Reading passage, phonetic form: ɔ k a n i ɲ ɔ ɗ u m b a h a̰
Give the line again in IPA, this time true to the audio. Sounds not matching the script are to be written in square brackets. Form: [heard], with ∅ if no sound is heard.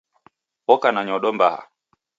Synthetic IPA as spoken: ɔ k a n [a] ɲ ɔ ɗ [ɔ] m b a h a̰